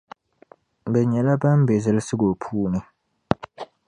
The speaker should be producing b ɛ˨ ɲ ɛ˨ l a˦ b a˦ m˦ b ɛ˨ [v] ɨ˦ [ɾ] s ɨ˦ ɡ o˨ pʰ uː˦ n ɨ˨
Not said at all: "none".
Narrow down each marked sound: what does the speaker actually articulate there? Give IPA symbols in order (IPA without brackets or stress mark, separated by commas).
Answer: z, l